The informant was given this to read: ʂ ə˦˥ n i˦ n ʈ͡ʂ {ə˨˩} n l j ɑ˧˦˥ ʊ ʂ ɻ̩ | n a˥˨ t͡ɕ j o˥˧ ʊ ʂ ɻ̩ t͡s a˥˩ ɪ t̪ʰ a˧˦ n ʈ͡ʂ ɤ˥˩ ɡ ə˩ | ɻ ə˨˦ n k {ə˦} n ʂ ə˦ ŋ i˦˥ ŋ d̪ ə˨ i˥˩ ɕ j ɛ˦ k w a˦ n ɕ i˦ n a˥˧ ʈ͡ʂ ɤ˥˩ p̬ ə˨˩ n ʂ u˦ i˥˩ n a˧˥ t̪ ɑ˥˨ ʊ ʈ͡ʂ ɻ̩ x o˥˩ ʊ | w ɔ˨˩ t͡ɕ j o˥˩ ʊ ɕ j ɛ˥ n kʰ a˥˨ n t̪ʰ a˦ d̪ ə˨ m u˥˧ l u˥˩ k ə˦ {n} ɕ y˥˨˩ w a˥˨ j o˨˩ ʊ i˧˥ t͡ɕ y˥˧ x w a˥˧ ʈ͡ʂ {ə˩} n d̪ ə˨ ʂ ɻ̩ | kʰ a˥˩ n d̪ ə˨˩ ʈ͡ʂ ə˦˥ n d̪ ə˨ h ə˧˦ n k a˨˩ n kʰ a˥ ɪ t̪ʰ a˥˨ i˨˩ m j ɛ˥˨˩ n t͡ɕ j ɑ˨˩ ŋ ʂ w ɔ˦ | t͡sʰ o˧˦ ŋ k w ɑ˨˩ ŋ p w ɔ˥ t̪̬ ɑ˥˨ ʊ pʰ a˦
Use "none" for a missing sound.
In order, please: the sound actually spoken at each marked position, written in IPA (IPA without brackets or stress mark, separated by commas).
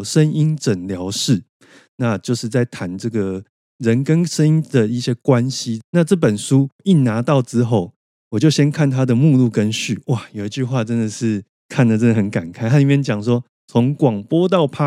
ə˨˩, ə˦, n, ə˦